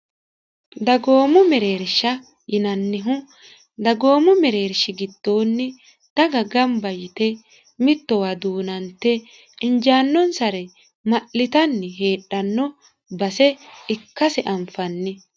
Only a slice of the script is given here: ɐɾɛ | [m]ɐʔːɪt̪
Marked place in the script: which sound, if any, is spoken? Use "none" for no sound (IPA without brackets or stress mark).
m